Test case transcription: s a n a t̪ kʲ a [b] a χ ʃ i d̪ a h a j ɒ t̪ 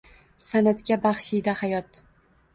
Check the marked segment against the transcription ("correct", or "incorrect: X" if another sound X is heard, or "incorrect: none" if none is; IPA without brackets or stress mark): correct